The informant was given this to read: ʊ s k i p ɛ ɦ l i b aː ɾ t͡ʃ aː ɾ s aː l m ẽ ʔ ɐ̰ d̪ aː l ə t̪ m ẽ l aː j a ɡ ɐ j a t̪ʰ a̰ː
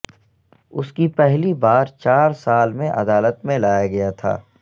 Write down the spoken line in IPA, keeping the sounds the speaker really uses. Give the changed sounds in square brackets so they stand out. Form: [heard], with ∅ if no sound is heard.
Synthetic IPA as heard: ʊ s k i p ɛ ɦ l i b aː ɾ t͡ʃ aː ɾ s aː l m ẽ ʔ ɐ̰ d̪ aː l ə t̪ m ẽ l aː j a ɡ ɐ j a t̪ʰ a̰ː

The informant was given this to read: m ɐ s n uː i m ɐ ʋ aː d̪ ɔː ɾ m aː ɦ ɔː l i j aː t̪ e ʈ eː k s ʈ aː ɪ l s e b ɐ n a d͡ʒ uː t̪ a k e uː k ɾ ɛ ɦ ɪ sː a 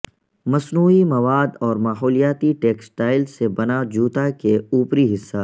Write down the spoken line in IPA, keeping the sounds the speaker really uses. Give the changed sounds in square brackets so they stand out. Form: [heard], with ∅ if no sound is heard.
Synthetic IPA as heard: m ɐ s n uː i m ɐ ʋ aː d̪ ɔː ɾ m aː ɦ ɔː l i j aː t̪ [i] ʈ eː k s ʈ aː ɪ l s e b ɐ n a d͡ʒ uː t̪ a k e uː [p] ɾ [i] ɦ ɪ sː a

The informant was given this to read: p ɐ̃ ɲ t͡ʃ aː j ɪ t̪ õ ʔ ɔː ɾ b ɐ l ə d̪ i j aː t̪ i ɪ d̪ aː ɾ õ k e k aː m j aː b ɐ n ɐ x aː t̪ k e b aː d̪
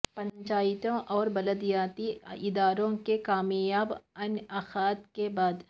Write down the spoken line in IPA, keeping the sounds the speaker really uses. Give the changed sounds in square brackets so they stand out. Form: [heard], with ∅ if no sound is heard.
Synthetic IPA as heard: p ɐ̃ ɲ t͡ʃ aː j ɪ t̪ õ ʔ ɔː ɾ b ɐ l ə d̪ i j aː t̪ i ɪ d̪ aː ɾ õ k e k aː m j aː b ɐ n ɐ x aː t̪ k e b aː d̪

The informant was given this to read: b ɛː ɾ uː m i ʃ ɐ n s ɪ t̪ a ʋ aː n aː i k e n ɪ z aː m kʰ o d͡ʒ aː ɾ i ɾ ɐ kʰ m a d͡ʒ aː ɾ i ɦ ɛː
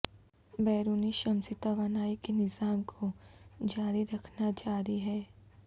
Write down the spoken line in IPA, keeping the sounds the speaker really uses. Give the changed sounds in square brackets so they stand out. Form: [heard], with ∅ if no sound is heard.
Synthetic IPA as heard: b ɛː ɾ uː [n] i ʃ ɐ [m] s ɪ t̪ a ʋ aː n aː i k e n ɪ z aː m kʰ o d͡ʒ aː ɾ i ɾ ɐ kʰ [n] a d͡ʒ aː ɾ i ɦ ɛː

